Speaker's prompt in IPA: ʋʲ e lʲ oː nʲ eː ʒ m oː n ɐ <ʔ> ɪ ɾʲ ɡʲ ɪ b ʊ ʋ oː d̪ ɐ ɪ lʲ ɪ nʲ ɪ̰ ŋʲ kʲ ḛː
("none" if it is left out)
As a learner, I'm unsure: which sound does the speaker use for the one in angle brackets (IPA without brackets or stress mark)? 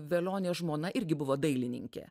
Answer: ʔ